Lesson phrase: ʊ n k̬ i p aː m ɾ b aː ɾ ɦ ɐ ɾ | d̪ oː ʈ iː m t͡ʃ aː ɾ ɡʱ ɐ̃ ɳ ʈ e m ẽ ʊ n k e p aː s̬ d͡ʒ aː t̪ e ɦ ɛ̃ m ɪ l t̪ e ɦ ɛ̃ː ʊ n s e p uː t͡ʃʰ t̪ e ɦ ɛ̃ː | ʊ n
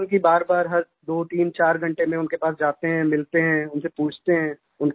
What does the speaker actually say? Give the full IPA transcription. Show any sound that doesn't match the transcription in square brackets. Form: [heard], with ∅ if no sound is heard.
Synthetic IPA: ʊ n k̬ i [b] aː [∅] ɾ b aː ɾ ɦ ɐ ɾ | d̪ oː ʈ iː m t͡ʃ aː ɾ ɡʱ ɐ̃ ɳ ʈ e m ẽ ʊ n k e p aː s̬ d͡ʒ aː t̪ e ɦ ɛ̃ m ɪ l t̪ e ɦ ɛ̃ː ʊ n s e p uː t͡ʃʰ t̪ e ɦ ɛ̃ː | ʊ n